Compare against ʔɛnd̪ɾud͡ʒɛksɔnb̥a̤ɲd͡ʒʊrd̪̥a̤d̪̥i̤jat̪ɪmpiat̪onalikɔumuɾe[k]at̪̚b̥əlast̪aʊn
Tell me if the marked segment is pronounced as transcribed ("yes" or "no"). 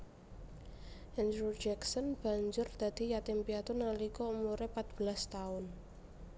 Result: no